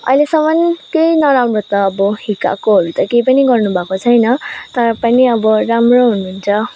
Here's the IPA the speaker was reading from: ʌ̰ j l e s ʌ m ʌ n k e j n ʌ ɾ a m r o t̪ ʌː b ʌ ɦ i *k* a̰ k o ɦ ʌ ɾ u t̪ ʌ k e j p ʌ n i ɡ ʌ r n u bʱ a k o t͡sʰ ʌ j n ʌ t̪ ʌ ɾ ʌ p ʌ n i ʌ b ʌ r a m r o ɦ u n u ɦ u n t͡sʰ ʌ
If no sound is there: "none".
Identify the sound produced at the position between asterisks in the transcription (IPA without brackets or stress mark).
k